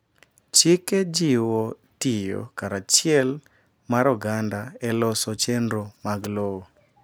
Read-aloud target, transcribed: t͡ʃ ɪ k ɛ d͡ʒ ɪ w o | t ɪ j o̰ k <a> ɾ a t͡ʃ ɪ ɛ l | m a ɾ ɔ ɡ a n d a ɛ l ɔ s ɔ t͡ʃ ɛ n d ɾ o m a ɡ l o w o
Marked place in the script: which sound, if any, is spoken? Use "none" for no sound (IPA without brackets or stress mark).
a